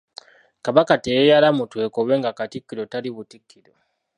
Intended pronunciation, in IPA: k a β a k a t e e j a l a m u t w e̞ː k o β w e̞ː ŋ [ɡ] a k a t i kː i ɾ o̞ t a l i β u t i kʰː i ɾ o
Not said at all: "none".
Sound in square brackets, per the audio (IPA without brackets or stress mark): ɡ